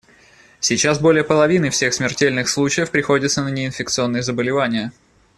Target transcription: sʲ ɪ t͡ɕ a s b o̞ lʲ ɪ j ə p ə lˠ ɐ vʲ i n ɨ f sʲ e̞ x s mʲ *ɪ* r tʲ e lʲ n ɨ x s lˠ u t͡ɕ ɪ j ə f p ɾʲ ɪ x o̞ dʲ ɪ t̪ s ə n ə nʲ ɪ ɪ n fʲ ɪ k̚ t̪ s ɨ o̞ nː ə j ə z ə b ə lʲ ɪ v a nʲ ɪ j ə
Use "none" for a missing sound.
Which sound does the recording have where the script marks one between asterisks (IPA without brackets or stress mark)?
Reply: ɪ